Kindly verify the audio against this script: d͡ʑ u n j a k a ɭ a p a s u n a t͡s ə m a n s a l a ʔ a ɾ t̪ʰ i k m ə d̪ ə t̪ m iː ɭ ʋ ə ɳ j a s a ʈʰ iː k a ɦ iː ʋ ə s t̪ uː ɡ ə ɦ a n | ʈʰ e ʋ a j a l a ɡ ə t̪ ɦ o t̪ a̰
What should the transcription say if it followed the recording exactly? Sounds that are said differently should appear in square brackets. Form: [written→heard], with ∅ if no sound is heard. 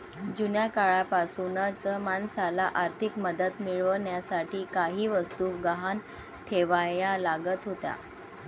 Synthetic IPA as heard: d͡ʑ u n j a k a ɭ a p a s u n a t͡s ə m a n s a l a ʔ a ɾ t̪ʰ i k m ə d̪ ə t̪ m [iː→i] ɭ ʋ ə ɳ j a s a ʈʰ iː k a ɦ iː ʋ ə s t̪ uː ɡ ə ɦ a n | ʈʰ e ʋ a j a l a ɡ ə t̪ ɦ o t̪ a̰

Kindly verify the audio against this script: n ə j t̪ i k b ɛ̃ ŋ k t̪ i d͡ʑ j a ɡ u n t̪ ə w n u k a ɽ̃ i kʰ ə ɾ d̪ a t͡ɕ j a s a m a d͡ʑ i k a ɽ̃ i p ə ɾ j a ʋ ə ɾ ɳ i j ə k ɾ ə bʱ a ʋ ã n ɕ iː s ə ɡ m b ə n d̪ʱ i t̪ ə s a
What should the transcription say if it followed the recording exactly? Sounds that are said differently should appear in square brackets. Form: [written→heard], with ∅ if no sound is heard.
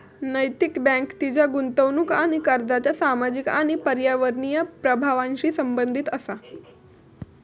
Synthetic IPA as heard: n ə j t̪ i k b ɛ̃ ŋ k t̪ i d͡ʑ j a ɡ u n t̪ ə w n u k a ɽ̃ i [kʰ→k] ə ɾ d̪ a t͡ɕ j a s a m a d͡ʑ i k a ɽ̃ i p ə ɾ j a ʋ ə ɾ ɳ i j ə [k→p] ɾ ə bʱ a ʋ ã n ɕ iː s ə [ɡ→∅] m b ə n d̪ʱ i t̪ ə s a

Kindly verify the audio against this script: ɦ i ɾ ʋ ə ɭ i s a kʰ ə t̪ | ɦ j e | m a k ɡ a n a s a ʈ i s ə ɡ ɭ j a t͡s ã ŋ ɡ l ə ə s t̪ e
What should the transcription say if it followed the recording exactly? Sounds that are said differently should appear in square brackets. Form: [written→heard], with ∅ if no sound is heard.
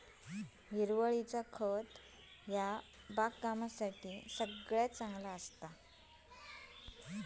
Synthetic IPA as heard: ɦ i ɾ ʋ ə ɭ i [s→t͡s] a kʰ ə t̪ | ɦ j [e→a] | [m→b] a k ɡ a [n→m] a s a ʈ i s ə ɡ ɭ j a t͡s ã ŋ ɡ l [ə→a] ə s t̪ [e→a]

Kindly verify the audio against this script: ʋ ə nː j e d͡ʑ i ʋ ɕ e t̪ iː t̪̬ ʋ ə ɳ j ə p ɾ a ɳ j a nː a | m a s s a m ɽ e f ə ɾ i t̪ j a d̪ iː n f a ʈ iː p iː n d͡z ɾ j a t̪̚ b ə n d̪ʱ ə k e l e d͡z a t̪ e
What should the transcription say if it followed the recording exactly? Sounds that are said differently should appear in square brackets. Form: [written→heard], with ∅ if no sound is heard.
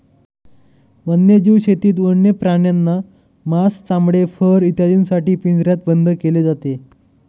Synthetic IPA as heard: ʋ ə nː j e d͡ʑ i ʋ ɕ e t̪ iː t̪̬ ʋ ə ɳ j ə p ɾ a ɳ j a nː a | m a s [s→t͡s] a m ɽ e f ə ɾ i t̪ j a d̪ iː n [f→s] a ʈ iː p [iː→i] n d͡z ɾ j a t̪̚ b ə n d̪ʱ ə k e l e d͡z a t̪ e

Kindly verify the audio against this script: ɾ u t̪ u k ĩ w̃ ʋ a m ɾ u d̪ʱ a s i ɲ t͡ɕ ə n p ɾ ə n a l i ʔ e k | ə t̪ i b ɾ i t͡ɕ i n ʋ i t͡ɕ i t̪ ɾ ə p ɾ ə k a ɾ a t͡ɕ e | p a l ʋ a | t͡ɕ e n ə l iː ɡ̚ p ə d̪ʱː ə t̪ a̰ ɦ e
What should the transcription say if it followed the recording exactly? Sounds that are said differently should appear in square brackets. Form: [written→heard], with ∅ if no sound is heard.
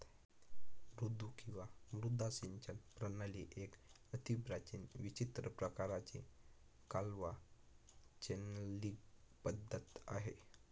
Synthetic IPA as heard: ɾ u [t̪→d̪] u k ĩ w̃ ʋ a m ɾ u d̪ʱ a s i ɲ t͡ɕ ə n p ɾ ə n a l i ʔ e k | ə t̪ i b ɾ [i→a] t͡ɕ i n ʋ i t͡ɕ i t̪ ɾ ə p ɾ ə k a ɾ a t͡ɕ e | [p→k] a l ʋ a | t͡ɕ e n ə l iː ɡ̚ p ə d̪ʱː ə t̪ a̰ ɦ e

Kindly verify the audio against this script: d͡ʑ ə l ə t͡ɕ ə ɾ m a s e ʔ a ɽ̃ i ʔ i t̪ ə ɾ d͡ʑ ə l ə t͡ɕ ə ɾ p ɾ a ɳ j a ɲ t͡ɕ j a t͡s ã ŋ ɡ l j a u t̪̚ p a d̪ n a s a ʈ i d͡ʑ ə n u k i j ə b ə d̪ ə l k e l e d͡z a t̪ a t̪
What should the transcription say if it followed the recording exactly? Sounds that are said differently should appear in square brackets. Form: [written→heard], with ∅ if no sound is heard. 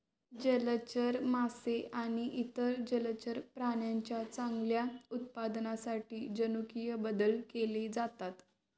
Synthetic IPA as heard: d͡ʑ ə l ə t͡ɕ ə ɾ m a s e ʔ a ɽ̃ i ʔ i t̪ ə ɾ d͡ʑ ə l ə t͡ɕ ə ɾ p ɾ a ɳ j a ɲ t͡ɕ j a t͡s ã ŋ ɡ l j a u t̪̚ p a d̪ n a s a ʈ [i→iː] d͡ʑ ə n u k i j ə b ə d̪ ə l k e l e d͡z a t̪ a t̪

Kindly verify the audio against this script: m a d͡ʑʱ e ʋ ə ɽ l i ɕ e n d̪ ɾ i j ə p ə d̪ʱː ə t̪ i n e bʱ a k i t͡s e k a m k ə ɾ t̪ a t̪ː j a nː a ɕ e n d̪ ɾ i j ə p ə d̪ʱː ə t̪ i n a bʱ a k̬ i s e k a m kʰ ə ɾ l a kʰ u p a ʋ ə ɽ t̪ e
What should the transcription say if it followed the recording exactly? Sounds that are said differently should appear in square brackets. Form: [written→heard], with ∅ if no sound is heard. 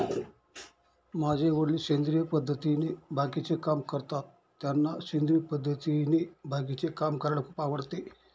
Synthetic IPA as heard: m a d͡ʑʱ e ʋ ə ɽ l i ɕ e n d̪ ɾ i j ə p ə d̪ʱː ə t̪ i n e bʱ a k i t͡s e k a m k ə ɾ t̪ a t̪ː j a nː a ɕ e n d̪ ɾ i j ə p ə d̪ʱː ə t̪ i n [a→e] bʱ a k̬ i [s→t͡s] e k a m [kʰ→k] ə ɾ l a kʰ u p a ʋ ə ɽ t̪ e

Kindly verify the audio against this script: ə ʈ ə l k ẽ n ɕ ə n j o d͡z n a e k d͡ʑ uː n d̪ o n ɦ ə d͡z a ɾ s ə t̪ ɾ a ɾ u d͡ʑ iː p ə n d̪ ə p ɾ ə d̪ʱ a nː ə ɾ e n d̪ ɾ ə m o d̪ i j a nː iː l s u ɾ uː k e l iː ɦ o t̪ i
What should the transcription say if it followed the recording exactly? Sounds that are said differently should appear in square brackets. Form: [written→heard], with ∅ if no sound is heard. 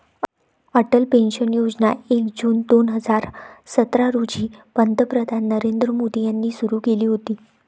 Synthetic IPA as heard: ə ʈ ə l [k→p] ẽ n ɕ ə n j o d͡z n a e k d͡ʑ uː n d̪ o n ɦ ə d͡z a ɾ s ə t̪ ɾ a ɾ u d͡ʑ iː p ə n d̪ ə p ɾ ə d̪ʱ a nː ə ɾ e n d̪ ɾ ə m o d̪ i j a nː iː [l→∅] s u ɾ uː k e l iː ɦ o t̪ [i→iː]

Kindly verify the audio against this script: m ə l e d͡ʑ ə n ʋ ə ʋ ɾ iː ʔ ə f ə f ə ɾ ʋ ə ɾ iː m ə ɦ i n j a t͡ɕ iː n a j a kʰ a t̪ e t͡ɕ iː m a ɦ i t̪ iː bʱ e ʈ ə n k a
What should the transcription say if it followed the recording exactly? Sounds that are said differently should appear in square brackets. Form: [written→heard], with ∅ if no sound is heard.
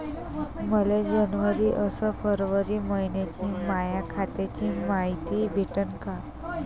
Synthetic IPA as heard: m ə l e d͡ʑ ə n ʋ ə [ʋ→∅] ɾ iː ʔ ə [f→s] ə f ə ɾ ʋ ə ɾ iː m ə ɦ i n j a t͡ɕ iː [n→m] a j a kʰ a t̪ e t͡ɕ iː m a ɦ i t̪ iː bʱ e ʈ ə n k a

